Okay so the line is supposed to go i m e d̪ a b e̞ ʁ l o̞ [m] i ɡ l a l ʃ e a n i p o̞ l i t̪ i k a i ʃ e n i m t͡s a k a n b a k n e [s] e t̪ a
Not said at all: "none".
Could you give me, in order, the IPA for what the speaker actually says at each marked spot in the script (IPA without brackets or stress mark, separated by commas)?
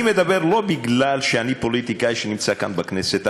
b, s